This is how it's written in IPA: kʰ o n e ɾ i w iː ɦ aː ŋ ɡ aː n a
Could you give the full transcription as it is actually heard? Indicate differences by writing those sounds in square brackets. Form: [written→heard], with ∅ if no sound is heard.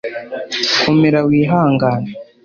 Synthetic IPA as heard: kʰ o [n→m] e ɾ [i→a] w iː ɦ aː ŋ ɡ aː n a